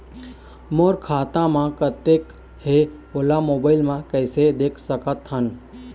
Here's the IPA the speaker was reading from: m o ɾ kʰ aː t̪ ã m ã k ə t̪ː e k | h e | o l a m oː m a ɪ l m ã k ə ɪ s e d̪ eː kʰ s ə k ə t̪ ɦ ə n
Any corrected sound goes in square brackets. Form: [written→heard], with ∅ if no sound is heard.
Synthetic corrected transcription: m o ɾ kʰ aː t̪ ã m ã k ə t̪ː e k | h e | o l a m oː [m→b] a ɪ l m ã k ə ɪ s e d̪ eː kʰ s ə k ə t̪ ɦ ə n